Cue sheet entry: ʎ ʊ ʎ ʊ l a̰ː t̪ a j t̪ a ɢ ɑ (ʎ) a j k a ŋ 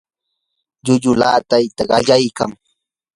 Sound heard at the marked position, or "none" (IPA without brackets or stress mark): ʎ